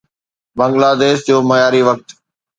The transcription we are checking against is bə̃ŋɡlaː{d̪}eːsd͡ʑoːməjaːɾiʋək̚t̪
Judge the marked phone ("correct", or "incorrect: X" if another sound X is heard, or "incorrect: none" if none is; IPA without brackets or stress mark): correct